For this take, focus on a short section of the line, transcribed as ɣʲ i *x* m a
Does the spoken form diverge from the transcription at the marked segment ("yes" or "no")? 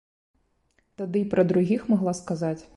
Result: no